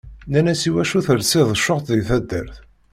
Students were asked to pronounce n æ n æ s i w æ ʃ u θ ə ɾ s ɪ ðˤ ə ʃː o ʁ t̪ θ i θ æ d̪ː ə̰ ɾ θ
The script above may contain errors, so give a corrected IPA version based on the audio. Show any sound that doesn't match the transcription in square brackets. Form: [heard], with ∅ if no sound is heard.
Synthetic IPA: n æ n æ s i w æ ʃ u θ ə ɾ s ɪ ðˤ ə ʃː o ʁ t̪ [ð] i θ æ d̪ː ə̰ ɾ θ